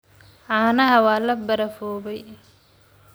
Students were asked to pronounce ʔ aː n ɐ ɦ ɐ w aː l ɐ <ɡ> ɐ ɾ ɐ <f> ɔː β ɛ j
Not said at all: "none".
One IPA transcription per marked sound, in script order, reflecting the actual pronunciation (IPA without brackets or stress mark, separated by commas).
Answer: b, f